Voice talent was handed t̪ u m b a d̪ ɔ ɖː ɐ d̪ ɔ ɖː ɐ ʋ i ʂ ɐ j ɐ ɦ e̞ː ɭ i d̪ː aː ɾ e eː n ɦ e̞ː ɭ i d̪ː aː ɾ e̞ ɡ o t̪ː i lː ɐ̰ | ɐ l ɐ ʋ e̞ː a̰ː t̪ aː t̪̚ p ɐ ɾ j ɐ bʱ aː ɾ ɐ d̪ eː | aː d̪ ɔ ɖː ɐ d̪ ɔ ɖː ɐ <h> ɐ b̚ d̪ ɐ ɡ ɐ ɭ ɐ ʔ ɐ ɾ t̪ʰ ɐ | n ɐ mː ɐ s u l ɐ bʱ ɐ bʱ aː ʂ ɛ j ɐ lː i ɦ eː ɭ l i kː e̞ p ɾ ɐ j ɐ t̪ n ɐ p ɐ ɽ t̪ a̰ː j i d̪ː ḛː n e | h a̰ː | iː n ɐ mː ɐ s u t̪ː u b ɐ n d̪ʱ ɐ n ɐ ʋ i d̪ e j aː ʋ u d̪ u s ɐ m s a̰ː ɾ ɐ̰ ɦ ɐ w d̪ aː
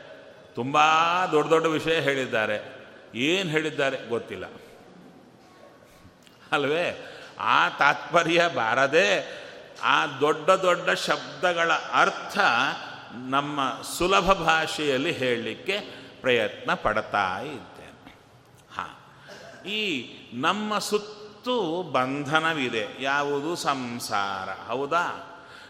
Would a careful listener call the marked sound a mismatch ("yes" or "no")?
yes